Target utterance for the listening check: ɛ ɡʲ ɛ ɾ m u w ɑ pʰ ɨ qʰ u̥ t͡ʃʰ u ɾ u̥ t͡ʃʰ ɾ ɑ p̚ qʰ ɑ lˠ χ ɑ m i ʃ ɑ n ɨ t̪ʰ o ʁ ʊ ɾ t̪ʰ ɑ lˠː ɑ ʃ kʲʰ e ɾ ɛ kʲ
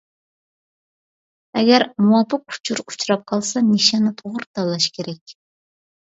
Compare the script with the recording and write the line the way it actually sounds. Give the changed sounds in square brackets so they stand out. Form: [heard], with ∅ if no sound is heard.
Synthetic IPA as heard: ɛ ɡʲ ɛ ɾ m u w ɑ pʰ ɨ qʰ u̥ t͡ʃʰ u ɾ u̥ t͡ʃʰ ɾ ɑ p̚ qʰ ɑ lˠ [s] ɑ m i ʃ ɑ n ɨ t̪ʰ o ʁ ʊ ɾ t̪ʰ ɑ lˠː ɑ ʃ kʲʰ e ɾ ɛ kʲ